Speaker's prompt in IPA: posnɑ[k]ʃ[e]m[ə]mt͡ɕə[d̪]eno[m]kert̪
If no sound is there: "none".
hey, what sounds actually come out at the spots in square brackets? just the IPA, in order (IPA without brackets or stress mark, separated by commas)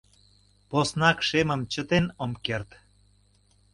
k, e, ə, t̪, m